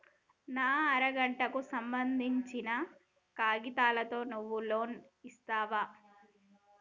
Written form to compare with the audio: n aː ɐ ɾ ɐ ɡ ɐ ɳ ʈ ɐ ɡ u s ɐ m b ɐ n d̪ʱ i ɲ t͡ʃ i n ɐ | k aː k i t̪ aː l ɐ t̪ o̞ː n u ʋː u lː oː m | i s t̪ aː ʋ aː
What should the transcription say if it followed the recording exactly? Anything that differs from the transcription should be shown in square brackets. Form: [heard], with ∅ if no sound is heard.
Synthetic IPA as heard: n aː ɐ ɾ ɐ ɡ ɐ ɳ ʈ ɐ [k] u s ɐ m b ɐ n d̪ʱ i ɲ t͡ʃ i n ɐ | k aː [ɡ] i t̪ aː l ɐ t̪ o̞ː n u ʋː u [l] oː [n] | i s t̪ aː ʋ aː

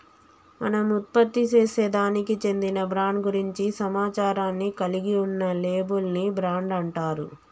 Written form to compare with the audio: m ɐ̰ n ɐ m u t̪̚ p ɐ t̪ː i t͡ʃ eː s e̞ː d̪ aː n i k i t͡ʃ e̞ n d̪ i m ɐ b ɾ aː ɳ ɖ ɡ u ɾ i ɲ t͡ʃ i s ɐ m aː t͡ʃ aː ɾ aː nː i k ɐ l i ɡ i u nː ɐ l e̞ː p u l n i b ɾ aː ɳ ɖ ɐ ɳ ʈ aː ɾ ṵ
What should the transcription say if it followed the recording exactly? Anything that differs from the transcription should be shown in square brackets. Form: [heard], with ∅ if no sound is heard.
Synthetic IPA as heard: m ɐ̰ n ɐ m u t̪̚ p ɐ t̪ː i t͡ʃ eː s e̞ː d̪ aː n i k i t͡ʃ e̞ n d̪ i [n] ɐ b ɾ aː ɳ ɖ ɡ u ɾ i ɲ t͡ʃ i s ɐ m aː t͡ʃ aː ɾ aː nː i k ɐ l i ɡ i u nː ɐ l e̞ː [b] u l n i b ɾ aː ɳ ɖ ɐ ɳ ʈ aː ɾ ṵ

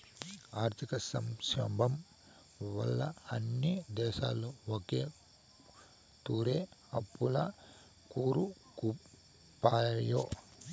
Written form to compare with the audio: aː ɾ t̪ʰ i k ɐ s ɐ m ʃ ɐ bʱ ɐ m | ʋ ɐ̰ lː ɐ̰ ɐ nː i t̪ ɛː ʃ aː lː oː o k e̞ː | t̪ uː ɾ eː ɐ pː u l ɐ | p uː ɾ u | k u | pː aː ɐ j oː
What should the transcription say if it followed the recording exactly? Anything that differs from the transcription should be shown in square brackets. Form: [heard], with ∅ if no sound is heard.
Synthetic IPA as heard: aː ɾ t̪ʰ i k ɐ s ɐ m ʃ ɐ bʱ ɐ m | ʋ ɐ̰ lː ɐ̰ ɐ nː i [d̪] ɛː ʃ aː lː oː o k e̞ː | t̪ uː ɾ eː ɐ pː u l ɐ | [k] uː ɾ u | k u | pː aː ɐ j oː

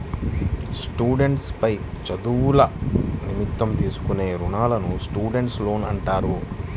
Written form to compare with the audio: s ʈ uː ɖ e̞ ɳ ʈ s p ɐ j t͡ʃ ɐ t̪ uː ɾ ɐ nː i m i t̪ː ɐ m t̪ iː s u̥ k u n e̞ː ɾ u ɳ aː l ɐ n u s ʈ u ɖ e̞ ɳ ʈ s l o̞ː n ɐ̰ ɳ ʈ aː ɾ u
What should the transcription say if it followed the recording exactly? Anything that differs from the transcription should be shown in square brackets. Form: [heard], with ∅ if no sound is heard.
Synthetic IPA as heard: s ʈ uː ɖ e̞ ɳ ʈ s p ɐ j t͡ʃ ɐ [d̪] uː [l] ɐ [n] i m i t̪ː ɐ m t̪ iː s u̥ k u n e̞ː ɾ u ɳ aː l ɐ n u s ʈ [uː] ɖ e̞ ɳ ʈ s l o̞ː n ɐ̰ ɳ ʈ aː ɾ u

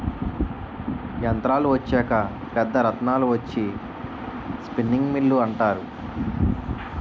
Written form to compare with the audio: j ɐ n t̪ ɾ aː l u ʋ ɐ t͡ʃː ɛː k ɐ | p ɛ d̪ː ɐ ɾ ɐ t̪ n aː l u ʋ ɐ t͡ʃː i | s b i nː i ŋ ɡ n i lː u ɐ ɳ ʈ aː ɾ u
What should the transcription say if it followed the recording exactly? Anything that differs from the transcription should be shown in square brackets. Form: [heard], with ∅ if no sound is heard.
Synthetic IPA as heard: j ɐ n t̪ ɾ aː l u ʋ ɐ t͡ʃː ɛː k ɐ | p ɛ d̪ː ɐ ɾ ɐ t̪ n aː l u ʋ ɐ t͡ʃː i | s [p] i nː i ŋ ɡ [m] i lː u ɐ ɳ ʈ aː ɾ u

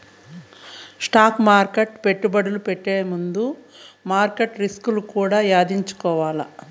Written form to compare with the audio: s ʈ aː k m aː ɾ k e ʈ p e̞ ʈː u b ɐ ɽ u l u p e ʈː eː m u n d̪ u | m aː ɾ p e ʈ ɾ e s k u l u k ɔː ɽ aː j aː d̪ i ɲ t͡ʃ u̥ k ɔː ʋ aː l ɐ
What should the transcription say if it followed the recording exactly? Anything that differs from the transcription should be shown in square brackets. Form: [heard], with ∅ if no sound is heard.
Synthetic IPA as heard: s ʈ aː k m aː ɾ k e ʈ p e̞ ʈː u b ɐ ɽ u l u p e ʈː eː m u n d̪ u | m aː ɾ [k] e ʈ ɾ [i] s k u l u k [uː] ɽ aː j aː d̪ i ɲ t͡ʃ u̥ k ɔː ʋ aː l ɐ

